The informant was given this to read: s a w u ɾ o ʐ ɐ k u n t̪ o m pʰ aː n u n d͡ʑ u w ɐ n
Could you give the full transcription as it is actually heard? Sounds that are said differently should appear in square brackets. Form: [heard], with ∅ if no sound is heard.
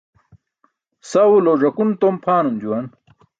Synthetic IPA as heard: s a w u [l] o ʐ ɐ k u n t̪ o m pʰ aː n u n d͡ʑ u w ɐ n